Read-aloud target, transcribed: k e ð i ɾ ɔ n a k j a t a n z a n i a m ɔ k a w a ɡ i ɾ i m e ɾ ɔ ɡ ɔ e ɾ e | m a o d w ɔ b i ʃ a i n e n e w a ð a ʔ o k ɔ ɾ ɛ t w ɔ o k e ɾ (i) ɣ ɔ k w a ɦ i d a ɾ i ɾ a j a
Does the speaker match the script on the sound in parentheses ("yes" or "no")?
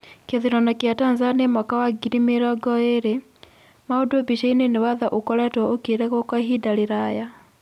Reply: no